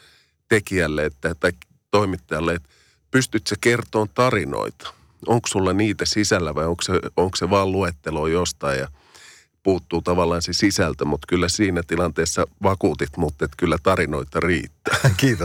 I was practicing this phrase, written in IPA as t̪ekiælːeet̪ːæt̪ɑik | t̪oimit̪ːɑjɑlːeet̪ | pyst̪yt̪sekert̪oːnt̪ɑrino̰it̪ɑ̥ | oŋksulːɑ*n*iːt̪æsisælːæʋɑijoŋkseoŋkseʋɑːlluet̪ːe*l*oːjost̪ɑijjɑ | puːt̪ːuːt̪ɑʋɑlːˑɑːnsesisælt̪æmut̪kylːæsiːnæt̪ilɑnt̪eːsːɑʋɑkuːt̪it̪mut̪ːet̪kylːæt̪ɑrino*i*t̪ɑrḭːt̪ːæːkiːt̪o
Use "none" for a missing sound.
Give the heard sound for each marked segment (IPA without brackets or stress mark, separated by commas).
n, l, i